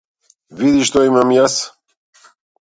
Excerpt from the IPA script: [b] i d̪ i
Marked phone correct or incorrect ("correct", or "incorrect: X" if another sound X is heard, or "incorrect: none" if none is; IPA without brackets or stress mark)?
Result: incorrect: v